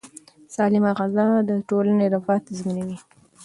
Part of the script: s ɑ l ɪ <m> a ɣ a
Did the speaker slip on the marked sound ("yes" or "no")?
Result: no